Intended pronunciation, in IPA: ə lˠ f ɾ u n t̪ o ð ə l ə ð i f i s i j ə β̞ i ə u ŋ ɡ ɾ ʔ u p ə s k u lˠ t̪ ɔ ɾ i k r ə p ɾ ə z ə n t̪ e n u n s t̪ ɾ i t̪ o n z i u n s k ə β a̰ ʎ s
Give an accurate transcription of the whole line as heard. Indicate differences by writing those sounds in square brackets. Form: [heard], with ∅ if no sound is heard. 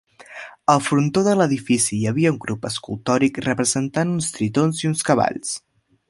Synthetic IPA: ə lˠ f ɾ u n t̪ o ð ə l ə ð i f i s i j ə β̞ i ə u ŋ ɡ ɾ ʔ u p ə s k u lˠ t̪ ɔ ɾ i k r ə p ɾ ə z ə n t̪ [a] n u n s t̪ ɾ i t̪ o n z i u n s k ə β a̰ ʎ s